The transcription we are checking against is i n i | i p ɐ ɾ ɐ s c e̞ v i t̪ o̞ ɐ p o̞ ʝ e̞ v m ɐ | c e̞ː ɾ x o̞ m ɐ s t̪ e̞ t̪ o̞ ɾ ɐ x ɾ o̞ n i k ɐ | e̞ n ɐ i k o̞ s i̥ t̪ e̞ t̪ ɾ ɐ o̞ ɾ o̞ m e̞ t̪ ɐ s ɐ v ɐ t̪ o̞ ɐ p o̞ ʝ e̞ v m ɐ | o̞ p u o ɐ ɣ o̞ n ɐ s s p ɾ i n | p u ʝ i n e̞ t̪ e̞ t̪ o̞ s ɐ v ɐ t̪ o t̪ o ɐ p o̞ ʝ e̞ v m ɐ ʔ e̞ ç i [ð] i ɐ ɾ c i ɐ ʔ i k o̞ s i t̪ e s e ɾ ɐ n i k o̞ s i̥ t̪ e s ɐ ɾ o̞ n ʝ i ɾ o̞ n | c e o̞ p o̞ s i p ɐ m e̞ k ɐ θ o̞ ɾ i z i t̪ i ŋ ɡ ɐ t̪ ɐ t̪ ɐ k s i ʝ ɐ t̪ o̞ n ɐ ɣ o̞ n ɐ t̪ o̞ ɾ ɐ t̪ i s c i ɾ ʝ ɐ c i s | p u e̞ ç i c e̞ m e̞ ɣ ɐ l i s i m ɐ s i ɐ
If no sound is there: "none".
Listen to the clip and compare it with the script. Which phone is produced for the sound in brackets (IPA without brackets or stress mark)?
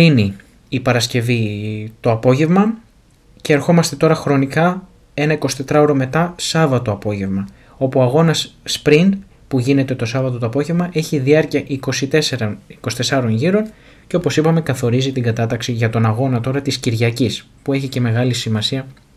ð